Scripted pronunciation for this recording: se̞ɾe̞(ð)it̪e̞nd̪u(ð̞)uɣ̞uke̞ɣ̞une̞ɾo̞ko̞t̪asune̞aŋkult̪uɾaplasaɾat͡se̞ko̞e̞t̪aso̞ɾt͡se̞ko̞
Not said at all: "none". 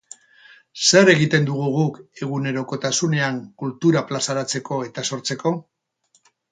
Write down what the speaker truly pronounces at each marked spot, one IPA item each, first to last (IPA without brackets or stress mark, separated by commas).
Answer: ɣ, ɣ̞